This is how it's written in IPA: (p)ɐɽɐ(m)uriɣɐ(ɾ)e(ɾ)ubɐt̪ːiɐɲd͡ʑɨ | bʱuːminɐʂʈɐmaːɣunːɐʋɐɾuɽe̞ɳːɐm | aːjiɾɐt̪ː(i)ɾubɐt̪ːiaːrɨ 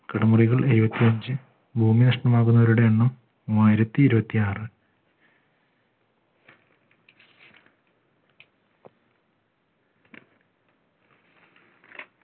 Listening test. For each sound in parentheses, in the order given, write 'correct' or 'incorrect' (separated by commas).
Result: incorrect, correct, incorrect, correct, incorrect